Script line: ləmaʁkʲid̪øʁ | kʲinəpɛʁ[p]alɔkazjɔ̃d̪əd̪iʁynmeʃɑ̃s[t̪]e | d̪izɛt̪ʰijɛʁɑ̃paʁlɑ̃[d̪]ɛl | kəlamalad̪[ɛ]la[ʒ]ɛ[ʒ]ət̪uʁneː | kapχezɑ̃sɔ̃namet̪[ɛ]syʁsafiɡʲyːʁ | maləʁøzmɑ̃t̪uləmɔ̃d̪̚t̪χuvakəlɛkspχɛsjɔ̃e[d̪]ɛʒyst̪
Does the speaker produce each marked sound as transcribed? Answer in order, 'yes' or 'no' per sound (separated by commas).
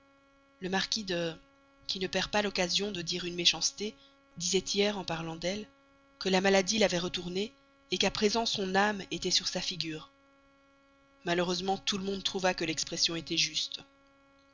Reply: yes, yes, yes, no, no, no, yes, no